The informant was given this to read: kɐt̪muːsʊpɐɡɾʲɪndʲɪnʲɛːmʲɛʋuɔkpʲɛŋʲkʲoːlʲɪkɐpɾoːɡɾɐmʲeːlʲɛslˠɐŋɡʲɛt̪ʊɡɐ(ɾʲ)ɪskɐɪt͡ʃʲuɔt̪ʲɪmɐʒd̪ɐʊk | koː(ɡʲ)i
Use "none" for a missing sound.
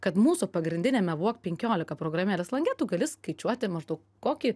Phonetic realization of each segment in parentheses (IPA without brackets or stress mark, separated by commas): lʲ, kʲ